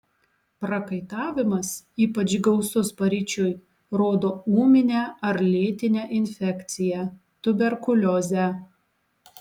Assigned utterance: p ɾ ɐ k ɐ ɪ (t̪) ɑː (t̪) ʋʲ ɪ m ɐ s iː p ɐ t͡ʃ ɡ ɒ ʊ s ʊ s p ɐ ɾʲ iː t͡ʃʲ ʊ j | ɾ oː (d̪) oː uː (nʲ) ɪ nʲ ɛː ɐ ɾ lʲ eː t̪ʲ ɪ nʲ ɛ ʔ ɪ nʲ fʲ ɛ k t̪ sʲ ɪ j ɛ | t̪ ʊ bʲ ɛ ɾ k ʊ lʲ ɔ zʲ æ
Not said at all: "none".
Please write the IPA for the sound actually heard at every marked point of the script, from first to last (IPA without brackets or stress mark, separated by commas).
t̪, none, d̪, mʲ